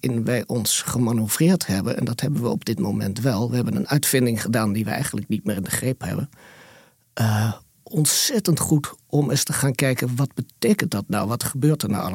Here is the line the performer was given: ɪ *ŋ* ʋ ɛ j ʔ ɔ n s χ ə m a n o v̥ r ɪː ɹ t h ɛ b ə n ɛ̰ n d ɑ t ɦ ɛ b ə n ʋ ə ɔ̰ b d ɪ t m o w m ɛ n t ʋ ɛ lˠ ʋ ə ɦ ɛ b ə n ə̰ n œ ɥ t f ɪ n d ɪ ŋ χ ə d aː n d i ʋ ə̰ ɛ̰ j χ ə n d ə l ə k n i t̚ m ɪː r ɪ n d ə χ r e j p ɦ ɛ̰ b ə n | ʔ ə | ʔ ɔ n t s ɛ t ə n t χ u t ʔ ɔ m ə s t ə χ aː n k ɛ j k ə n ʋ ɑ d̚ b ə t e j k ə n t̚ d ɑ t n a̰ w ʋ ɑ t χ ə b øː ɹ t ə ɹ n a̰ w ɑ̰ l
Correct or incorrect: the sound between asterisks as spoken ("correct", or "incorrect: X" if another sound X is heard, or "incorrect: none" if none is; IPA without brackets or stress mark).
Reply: incorrect: n